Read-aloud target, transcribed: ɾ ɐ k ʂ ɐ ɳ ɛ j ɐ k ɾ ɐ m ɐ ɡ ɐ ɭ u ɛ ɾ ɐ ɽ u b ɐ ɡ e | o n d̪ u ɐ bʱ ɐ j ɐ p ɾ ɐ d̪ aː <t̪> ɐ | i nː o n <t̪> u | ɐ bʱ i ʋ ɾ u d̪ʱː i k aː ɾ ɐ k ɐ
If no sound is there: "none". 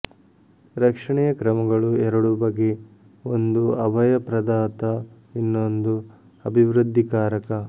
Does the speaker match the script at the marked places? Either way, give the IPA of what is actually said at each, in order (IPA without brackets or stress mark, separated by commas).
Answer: t̪, d̪